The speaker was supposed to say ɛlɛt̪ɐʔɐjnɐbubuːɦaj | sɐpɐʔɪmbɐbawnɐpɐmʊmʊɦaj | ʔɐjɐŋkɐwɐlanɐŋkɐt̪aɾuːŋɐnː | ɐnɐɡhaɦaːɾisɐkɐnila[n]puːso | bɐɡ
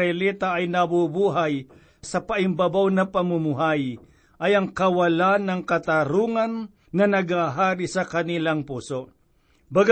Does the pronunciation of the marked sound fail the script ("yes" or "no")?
yes